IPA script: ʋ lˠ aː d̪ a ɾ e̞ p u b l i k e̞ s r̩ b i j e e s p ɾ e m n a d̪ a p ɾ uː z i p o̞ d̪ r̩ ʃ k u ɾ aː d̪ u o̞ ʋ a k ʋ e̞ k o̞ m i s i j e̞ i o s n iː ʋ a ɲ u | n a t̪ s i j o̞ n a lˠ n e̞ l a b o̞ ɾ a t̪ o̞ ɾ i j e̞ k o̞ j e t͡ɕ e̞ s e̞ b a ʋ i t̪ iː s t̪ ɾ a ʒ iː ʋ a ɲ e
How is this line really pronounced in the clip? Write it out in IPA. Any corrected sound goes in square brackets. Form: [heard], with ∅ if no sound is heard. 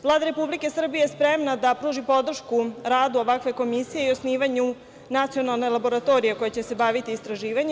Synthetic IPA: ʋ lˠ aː d̪ a ɾ e̞ p u b l i k e̞ s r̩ b i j e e s p ɾ e m n a d̪ a p ɾ uː [ʒ] i p o̞ d̪ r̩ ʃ k u ɾ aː d̪ u o̞ ʋ a k ʋ e̞ k o̞ m i s i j e̞ i o s n iː ʋ a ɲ u | n a t̪ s i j o̞ n a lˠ n e̞ l a b o̞ ɾ a t̪ o̞ ɾ i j e̞ k o̞ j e t͡ɕ e̞ s e̞ b a ʋ i t̪ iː s t̪ ɾ a ʒ iː ʋ a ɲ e